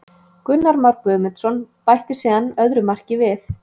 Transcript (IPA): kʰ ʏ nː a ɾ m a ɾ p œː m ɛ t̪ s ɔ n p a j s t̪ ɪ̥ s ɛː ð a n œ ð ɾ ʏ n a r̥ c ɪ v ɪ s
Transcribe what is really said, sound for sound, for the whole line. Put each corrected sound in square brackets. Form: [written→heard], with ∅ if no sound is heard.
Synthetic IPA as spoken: [kʰ→k] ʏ nː a ɾ m a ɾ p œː m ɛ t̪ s ɔ n p a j [s→h] t̪ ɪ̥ s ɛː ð a n œ ð ɾ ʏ [n→m] a r̥ c ɪ v ɪ [s→θ]